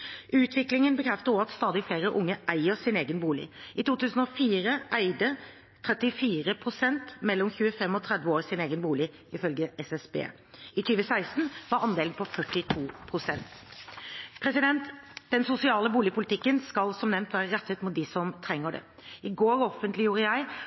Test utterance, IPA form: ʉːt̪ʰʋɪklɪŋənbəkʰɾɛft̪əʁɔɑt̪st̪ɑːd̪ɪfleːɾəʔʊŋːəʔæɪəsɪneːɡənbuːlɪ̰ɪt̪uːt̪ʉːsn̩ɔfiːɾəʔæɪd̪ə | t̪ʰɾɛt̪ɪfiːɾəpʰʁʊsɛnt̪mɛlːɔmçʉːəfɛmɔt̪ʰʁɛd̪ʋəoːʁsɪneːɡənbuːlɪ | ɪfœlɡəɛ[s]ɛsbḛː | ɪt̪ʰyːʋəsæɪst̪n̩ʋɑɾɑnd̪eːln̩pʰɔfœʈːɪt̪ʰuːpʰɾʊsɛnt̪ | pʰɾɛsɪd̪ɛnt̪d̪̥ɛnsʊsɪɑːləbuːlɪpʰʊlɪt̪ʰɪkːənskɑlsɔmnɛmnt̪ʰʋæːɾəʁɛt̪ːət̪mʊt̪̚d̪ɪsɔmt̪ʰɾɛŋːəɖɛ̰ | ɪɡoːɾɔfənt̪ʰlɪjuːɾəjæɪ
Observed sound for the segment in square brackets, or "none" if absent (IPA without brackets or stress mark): s